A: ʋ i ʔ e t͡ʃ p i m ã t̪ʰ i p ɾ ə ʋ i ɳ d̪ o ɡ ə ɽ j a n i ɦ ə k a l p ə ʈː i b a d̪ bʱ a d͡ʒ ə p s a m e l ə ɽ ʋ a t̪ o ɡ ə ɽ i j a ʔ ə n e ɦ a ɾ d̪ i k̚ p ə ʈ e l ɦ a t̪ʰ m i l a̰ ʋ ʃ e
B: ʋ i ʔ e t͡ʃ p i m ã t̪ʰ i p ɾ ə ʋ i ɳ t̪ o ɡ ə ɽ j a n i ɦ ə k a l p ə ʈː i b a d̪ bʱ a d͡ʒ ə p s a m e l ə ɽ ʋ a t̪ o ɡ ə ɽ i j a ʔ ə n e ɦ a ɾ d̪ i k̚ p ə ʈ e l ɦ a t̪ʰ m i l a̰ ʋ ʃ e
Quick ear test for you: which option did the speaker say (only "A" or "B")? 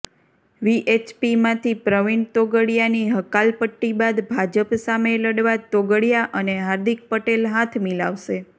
B